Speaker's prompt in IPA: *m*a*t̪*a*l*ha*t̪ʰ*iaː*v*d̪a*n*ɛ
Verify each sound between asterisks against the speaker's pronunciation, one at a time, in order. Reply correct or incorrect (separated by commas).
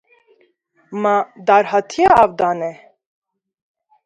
correct, incorrect, incorrect, correct, correct, correct